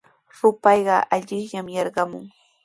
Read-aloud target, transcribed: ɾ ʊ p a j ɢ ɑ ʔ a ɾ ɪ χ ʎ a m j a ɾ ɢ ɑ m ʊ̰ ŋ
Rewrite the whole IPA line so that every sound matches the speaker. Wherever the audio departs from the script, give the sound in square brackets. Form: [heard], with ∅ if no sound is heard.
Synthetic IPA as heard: ɾ ʊ p [ɑ] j ɢ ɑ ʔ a [ʎ] ɪ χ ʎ a m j [ɑ] ɾ ɢ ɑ m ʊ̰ ŋ